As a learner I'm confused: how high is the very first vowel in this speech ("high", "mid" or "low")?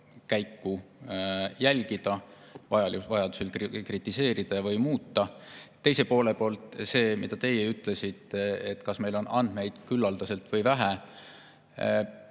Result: low